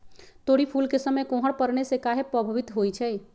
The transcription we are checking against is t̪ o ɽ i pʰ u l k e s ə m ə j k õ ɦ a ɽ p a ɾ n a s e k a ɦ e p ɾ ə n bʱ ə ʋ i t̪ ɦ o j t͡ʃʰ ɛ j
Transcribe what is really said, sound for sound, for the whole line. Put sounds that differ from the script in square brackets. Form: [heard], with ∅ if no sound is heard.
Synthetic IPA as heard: t̪ o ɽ i pʰ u l k e s ə m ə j k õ ɦ [ə] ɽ p [ə] ɾ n [e] s e k a ɦ e p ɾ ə [∅] bʱ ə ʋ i t̪ ɦ o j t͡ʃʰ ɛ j